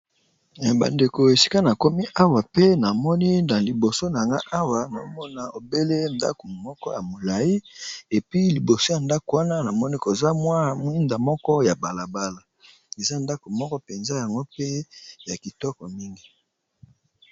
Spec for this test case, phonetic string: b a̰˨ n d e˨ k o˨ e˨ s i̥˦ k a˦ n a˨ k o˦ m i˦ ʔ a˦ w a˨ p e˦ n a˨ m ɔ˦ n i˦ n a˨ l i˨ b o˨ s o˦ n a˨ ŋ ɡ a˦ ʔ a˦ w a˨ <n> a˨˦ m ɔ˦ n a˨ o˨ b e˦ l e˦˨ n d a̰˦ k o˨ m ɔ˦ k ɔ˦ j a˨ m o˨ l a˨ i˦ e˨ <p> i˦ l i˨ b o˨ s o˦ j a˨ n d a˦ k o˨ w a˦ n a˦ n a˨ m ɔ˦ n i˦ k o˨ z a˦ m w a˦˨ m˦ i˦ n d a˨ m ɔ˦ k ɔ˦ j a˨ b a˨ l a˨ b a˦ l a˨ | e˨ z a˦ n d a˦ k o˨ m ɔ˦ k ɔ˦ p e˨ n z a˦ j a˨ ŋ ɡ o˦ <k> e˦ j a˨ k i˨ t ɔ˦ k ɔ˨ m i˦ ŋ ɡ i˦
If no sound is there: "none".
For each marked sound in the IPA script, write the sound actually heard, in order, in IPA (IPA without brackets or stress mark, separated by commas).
n, p, p